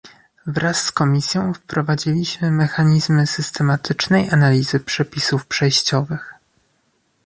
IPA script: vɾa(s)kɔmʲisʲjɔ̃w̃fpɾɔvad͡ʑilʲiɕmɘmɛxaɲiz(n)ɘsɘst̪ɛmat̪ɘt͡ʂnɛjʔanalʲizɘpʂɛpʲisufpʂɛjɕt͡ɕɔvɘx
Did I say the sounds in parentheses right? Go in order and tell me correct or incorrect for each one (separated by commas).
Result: incorrect, incorrect